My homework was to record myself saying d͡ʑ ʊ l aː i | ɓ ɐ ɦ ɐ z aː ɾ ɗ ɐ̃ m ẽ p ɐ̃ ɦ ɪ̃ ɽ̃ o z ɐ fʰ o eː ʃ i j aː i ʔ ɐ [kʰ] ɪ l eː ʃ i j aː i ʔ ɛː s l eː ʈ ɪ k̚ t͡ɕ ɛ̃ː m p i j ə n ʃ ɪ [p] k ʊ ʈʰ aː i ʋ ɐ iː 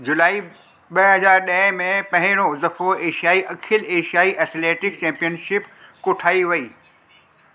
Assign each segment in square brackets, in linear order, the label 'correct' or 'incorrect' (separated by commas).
correct, correct